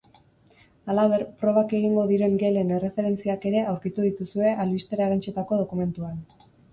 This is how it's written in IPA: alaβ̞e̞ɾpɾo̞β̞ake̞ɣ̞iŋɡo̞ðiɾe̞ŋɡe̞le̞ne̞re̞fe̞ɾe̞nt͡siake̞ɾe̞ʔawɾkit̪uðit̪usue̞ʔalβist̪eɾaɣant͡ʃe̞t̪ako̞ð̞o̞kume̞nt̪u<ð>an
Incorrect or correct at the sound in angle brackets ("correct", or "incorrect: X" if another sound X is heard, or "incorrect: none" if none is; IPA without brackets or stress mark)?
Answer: incorrect: none